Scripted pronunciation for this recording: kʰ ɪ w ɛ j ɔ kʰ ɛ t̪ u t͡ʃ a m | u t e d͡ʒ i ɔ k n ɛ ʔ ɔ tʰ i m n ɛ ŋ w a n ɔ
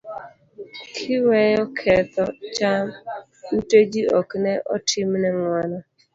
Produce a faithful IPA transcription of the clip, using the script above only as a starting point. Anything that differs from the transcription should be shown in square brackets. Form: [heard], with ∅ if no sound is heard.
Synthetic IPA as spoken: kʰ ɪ w ɛ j ɔ kʰ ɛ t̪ [ɔ] t͡ʃ a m | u t e d͡ʒ i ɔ k n ɛ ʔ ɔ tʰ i m n ɛ ŋ w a n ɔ